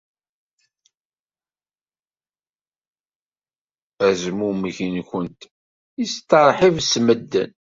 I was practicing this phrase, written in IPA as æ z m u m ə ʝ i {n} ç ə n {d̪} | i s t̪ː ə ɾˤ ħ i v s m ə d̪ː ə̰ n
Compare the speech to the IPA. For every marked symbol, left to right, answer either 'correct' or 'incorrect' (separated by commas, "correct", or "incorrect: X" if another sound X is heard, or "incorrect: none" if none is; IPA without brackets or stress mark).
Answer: correct, incorrect: t̪